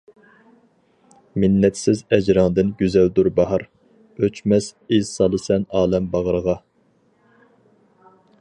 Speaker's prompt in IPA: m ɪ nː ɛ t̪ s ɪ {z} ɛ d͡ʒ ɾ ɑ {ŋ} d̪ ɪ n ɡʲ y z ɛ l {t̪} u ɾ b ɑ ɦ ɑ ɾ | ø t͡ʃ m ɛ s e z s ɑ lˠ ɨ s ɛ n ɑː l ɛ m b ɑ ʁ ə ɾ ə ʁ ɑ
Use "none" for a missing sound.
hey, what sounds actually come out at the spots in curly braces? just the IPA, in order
z, ŋ, d̪

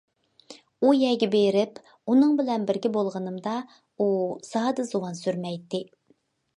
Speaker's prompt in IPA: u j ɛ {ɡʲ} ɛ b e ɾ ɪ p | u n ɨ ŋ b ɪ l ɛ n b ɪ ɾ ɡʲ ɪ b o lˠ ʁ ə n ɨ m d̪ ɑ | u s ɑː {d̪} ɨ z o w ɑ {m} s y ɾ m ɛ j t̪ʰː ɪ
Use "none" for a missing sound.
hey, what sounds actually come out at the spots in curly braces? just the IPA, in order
ɡʲ, d̪, n

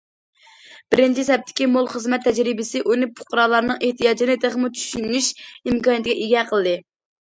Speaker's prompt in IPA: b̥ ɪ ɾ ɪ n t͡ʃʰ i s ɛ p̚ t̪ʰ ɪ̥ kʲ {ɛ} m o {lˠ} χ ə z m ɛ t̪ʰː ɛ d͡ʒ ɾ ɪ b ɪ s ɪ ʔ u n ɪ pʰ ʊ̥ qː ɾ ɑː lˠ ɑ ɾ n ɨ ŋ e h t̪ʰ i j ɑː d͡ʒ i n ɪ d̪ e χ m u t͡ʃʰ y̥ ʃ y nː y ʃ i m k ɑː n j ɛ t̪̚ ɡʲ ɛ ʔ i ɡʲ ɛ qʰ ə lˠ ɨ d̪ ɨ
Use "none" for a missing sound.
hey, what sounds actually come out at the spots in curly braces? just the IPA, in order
i, lˠ

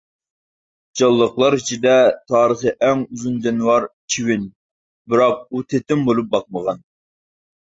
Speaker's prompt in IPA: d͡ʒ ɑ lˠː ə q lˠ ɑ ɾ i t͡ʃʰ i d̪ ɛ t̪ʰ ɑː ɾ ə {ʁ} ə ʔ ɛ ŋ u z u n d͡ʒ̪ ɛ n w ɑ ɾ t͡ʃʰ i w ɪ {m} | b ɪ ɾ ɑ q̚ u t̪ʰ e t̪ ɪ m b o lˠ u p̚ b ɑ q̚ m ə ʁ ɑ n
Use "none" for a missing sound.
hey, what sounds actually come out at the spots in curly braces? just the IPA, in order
χ, n

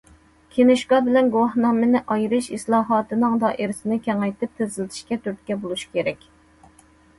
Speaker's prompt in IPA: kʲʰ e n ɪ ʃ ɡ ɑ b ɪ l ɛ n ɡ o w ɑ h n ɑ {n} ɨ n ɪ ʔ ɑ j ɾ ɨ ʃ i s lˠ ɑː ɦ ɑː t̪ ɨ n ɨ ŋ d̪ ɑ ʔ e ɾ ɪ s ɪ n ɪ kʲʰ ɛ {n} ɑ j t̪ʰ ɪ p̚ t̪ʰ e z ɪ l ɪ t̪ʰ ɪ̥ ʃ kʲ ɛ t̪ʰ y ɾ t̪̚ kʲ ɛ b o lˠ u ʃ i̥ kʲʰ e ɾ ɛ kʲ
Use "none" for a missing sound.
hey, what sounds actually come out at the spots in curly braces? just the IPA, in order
m, ŋ

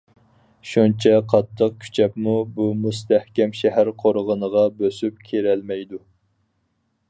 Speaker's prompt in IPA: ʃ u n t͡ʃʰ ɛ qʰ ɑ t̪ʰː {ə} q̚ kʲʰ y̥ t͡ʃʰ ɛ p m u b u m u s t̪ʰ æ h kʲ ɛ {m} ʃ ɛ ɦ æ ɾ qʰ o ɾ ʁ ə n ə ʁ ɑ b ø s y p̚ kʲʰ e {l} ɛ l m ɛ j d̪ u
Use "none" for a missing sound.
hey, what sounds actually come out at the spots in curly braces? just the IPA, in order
ə, m, ɾ

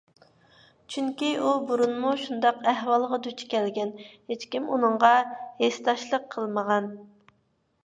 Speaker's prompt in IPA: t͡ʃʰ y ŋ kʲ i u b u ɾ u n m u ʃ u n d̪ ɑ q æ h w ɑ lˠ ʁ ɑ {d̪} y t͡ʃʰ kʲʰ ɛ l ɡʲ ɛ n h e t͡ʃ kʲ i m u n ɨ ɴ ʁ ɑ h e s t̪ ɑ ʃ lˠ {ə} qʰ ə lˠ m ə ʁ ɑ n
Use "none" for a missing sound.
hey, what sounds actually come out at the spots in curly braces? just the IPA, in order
d̪, ə

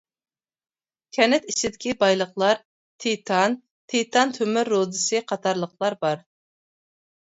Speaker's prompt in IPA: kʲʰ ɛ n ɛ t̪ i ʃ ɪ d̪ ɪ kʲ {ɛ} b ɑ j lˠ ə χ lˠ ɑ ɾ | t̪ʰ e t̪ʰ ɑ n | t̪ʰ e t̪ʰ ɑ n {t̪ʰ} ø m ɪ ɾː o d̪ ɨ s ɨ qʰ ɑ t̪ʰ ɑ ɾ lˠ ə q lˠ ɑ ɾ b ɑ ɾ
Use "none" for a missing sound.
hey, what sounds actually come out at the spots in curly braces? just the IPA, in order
i, t̪ʰ

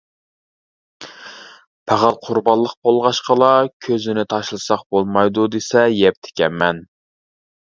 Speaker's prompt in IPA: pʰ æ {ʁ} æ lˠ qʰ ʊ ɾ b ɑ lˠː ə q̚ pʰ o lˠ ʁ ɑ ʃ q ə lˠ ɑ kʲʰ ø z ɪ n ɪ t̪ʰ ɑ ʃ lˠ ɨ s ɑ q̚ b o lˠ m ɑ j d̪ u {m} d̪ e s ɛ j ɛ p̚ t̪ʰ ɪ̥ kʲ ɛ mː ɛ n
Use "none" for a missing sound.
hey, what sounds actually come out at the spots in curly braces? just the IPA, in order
ʁ, none

